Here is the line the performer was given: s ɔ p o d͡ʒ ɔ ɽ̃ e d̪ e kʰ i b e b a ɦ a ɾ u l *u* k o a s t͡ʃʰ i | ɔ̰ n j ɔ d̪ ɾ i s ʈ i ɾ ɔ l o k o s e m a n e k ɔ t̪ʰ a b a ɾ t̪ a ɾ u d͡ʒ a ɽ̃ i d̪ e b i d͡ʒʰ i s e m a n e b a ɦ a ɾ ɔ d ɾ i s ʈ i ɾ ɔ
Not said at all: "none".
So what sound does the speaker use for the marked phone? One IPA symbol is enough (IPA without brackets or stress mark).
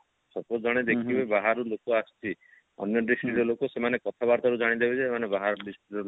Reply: o